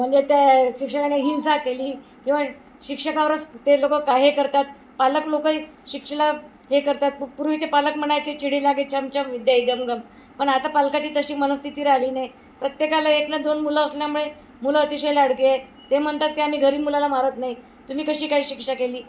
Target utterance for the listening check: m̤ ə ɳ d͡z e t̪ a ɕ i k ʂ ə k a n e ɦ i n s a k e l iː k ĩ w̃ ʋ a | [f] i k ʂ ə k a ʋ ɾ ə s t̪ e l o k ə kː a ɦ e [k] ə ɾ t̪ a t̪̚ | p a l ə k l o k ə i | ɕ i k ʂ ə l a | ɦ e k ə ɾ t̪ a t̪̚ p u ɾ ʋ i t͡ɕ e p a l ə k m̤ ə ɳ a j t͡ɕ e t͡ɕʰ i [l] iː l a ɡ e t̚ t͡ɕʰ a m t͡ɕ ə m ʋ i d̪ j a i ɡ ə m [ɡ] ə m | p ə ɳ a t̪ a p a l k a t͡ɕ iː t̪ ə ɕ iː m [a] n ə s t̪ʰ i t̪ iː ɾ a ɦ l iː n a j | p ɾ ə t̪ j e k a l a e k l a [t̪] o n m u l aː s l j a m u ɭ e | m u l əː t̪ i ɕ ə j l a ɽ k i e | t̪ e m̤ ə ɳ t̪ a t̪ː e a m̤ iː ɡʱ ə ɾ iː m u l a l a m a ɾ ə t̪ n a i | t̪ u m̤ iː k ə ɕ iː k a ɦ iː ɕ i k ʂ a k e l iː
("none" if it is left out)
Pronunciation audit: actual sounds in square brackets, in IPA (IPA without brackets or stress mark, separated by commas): ɕ, k, ɽ, ɡ, ə, d̪